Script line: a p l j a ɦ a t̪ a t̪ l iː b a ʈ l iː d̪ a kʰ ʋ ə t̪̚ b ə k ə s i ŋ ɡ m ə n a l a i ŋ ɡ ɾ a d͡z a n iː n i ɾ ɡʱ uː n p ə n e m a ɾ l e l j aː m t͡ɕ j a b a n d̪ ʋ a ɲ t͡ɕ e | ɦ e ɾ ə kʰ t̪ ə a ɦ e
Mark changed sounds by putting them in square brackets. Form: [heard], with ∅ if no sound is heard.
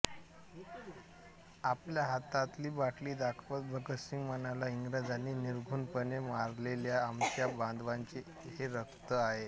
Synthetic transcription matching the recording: a p l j a ɦ a t̪ a t̪ l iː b a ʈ l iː d̪ a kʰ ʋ ə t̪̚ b ə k ə s i ŋ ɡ m ə n a l a i ŋ ɡ ɾ a d͡z a n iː n i ɾ ɡʱ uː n p ə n e m a ɾ l e l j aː m t͡ɕ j a b a n d̪ ʋ a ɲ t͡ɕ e | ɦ e ɾ ə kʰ t̪ ə a ɦ e